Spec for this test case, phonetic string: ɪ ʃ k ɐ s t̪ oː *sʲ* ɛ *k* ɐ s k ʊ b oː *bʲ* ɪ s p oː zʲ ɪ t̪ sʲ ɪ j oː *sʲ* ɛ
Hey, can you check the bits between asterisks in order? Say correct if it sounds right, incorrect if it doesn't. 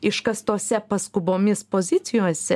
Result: correct, incorrect: p, incorrect: mʲ, correct

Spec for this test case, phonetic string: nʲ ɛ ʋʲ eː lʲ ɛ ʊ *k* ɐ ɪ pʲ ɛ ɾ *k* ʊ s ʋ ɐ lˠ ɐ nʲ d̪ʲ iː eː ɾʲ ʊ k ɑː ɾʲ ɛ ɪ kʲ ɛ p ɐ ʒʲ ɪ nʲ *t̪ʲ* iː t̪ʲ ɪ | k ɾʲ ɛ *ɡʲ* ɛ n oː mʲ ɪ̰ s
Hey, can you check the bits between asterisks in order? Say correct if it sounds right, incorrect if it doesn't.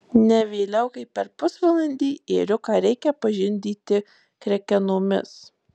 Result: correct, incorrect: p, incorrect: d̪ʲ, incorrect: kʲ

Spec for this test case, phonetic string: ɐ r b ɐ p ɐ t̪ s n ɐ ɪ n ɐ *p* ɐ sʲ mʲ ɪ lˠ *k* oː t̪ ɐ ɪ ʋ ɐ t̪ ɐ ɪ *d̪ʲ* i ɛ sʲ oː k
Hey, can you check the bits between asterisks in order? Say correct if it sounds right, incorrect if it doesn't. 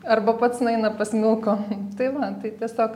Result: correct, correct, incorrect: t̪ʲ

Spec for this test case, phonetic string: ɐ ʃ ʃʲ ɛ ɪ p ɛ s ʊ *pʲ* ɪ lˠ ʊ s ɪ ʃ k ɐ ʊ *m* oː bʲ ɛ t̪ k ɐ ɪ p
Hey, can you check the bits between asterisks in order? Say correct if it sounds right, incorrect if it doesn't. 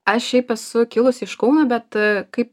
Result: incorrect: kʲ, incorrect: n

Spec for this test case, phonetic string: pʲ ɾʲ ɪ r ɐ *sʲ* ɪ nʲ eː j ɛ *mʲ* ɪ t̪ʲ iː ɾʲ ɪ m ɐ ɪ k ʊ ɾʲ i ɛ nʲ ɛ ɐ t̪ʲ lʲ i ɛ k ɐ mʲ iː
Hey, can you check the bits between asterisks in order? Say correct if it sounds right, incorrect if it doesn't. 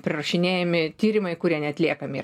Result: incorrect: ʃʲ, correct

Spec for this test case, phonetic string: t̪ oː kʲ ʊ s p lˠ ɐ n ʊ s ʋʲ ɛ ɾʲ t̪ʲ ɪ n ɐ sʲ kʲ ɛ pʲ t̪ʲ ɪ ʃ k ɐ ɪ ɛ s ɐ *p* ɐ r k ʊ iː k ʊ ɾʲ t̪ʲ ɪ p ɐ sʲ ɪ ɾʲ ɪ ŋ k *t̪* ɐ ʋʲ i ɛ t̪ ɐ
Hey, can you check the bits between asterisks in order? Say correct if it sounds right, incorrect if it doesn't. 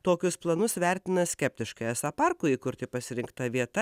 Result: correct, correct

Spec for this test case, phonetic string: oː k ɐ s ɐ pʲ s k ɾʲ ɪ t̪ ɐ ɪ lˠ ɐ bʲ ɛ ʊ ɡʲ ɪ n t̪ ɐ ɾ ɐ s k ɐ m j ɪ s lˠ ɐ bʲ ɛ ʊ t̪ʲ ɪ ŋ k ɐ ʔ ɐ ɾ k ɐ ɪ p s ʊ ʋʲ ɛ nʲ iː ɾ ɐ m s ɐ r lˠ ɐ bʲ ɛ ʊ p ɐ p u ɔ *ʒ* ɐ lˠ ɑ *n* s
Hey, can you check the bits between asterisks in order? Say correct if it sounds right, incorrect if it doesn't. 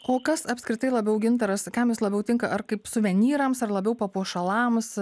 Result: incorrect: ʃ, incorrect: m

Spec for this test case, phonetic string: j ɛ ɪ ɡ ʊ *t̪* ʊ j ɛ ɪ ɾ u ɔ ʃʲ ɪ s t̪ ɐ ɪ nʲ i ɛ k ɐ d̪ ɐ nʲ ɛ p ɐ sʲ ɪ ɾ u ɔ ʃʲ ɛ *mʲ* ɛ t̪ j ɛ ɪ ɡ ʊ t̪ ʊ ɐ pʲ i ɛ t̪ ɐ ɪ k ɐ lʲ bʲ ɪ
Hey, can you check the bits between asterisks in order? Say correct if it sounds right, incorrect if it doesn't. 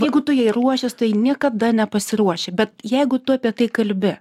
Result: correct, incorrect: bʲ

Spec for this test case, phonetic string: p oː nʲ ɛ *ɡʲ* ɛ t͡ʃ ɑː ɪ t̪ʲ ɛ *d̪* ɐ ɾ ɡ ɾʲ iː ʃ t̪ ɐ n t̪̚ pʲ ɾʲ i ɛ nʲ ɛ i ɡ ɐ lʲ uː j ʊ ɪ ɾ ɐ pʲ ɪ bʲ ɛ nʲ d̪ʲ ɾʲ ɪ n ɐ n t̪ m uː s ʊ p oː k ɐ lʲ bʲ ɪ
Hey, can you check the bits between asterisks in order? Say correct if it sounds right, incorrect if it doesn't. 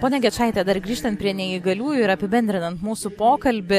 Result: correct, correct

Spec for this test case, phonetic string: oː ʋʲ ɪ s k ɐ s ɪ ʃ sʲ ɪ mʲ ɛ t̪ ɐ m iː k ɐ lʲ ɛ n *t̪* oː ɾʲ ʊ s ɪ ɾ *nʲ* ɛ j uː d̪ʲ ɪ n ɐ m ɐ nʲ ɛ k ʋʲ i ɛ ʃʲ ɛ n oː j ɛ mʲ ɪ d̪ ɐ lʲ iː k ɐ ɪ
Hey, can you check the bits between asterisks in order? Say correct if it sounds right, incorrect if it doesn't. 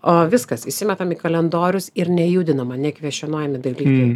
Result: incorrect: d̪, correct

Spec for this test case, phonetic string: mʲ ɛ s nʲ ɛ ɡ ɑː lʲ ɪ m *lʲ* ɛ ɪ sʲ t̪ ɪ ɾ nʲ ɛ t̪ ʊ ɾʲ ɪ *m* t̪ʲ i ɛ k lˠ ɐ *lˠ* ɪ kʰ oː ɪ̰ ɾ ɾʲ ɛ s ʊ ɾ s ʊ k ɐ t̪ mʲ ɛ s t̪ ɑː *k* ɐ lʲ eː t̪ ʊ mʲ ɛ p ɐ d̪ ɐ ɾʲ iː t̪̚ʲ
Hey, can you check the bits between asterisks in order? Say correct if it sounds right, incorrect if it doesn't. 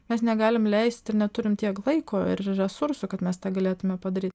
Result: correct, correct, incorrect: none, incorrect: ɡ

